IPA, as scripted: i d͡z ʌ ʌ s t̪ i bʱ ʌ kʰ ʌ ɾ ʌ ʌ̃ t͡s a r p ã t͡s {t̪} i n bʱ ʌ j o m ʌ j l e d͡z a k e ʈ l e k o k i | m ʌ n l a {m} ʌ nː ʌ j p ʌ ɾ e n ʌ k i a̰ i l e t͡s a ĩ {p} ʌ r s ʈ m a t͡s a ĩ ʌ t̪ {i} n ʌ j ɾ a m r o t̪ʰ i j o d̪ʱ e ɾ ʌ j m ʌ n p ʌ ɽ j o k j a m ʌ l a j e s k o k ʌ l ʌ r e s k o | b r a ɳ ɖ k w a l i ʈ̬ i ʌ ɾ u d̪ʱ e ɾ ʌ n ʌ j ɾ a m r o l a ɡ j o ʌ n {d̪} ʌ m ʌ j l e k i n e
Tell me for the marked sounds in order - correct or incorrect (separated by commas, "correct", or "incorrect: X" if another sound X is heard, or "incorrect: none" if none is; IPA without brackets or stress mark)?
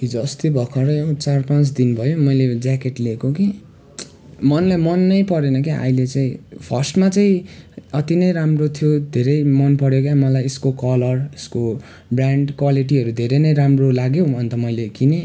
incorrect: d̪, correct, incorrect: pʰ, correct, incorrect: t̪